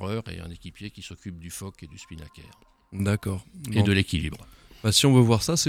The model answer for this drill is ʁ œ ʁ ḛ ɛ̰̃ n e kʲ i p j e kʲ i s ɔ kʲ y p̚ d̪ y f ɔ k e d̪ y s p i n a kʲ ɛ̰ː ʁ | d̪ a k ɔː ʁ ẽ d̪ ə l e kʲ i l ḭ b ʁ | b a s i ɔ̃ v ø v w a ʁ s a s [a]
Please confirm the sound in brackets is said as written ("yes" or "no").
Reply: no